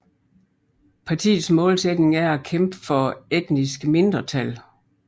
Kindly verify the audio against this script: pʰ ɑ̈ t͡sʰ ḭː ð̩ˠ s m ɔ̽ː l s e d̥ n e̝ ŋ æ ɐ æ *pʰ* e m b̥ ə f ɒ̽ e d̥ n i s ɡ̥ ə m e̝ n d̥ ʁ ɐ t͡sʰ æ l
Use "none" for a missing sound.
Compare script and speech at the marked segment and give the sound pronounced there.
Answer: kʰ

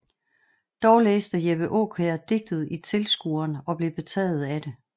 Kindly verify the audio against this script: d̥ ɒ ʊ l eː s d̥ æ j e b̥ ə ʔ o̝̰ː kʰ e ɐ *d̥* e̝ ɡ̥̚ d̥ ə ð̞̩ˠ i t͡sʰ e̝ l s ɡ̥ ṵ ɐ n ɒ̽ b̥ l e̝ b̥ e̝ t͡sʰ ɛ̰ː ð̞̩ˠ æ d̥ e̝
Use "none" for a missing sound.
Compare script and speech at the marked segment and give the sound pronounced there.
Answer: d̥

